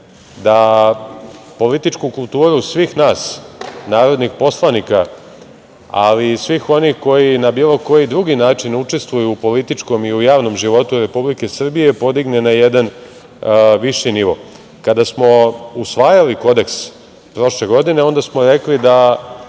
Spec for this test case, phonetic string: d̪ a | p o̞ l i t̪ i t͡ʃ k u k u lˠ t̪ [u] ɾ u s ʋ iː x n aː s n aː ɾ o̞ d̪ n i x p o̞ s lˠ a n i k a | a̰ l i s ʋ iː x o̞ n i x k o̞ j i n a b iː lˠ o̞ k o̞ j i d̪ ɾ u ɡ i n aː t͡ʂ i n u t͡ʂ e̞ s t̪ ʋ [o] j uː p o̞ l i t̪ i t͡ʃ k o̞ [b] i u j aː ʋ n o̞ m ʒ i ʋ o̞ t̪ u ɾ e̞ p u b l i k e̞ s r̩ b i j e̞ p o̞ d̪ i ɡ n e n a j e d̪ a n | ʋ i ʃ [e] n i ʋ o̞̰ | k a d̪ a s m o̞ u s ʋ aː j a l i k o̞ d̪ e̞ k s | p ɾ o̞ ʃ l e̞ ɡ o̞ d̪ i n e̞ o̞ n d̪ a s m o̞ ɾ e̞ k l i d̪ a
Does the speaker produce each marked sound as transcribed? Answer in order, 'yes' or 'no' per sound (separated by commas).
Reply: no, no, no, no